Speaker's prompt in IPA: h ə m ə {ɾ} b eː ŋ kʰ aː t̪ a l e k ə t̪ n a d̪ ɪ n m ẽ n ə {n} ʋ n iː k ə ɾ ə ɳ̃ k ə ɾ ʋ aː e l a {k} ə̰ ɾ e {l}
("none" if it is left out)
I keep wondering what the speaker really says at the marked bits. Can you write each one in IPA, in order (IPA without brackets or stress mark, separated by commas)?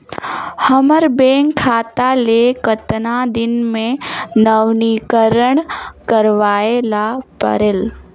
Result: ɾ, none, p, l